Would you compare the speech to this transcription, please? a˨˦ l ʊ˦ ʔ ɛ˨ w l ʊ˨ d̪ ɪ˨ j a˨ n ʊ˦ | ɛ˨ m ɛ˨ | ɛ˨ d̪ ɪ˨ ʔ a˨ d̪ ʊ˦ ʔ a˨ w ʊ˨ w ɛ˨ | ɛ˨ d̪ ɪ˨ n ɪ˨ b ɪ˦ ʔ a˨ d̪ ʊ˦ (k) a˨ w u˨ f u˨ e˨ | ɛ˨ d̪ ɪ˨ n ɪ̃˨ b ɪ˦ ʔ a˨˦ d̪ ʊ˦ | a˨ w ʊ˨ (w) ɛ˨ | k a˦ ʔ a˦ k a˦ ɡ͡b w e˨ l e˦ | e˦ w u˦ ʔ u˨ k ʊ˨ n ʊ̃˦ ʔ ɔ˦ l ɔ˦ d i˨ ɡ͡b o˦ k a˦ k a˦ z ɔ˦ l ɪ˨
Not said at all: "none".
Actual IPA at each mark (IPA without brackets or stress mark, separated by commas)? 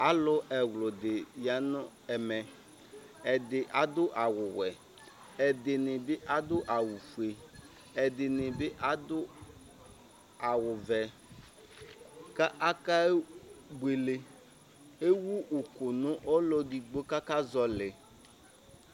ʔ, v